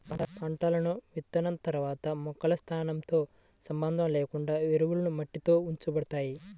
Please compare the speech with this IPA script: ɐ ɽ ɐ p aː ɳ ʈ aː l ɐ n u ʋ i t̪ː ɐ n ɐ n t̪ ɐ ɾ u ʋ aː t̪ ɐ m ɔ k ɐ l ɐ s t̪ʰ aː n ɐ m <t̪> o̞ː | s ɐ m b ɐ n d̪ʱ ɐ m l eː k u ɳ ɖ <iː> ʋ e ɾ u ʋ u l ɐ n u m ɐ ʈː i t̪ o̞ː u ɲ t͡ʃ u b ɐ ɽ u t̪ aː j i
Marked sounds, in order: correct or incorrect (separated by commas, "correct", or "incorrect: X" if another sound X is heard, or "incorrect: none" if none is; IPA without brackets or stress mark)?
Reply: correct, incorrect: aː